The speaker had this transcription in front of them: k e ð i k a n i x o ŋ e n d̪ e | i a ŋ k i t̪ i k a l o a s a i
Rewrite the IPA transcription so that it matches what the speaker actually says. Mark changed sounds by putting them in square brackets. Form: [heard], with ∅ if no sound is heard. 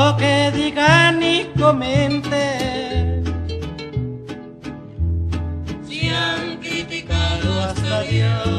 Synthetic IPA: k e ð i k a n i [k] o [m] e n [t̪] e | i a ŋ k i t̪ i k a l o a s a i